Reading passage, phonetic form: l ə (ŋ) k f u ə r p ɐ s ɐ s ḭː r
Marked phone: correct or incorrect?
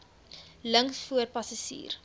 correct